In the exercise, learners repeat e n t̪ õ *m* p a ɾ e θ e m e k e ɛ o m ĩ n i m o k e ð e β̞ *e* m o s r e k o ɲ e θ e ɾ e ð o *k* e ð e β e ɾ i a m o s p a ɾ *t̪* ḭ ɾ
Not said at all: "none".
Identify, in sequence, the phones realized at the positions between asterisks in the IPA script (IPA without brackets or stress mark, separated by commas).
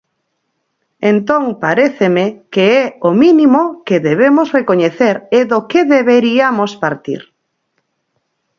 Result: ŋ, e, k, t̪